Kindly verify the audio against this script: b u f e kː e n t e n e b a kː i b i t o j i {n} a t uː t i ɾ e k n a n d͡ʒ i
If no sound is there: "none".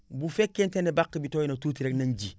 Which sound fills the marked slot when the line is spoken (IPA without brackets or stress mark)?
n